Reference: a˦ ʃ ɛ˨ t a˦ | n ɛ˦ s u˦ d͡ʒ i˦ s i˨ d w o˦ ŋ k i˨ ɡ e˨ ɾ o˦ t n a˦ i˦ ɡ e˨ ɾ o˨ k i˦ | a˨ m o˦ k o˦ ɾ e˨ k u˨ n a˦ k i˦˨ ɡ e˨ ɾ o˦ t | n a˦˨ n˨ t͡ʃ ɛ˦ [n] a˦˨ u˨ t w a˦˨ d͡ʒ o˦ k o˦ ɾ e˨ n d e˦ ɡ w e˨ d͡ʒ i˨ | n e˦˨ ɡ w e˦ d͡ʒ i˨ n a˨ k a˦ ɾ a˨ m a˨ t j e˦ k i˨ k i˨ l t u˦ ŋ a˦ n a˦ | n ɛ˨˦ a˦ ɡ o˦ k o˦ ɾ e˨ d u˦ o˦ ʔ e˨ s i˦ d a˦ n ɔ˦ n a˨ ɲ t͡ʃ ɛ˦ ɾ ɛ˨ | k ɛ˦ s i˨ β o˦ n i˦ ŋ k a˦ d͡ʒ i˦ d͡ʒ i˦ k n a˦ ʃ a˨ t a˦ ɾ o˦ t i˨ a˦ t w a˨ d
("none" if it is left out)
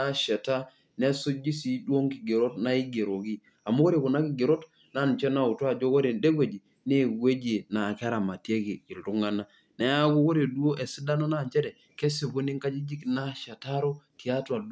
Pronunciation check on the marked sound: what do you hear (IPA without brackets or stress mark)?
n